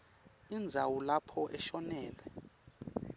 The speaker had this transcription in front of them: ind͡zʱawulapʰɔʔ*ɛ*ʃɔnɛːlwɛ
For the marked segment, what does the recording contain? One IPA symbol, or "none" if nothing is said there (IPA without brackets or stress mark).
ɛ